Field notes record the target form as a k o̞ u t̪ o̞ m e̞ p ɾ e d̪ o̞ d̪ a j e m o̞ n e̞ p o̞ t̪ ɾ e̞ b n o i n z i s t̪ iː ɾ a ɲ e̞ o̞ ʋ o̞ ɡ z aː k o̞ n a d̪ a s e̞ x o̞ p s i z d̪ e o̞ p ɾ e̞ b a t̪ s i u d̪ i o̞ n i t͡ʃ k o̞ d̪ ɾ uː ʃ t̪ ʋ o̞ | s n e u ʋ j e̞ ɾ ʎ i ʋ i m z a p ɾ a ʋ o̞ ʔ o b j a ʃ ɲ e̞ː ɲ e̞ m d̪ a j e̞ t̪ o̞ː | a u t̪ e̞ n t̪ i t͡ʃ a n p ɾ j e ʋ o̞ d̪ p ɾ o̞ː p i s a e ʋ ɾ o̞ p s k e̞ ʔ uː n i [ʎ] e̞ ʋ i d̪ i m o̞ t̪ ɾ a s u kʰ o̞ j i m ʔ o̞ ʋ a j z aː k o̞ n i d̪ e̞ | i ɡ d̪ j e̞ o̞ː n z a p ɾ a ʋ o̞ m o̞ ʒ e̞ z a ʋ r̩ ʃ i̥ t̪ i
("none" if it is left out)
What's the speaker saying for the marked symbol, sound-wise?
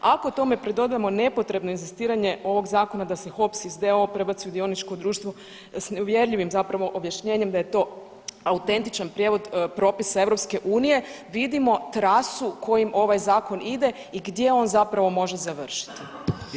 j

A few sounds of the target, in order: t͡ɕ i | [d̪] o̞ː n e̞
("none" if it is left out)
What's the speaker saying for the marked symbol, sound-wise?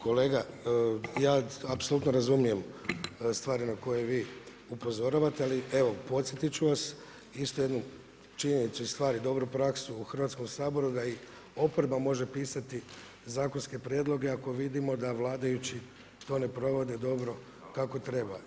t̪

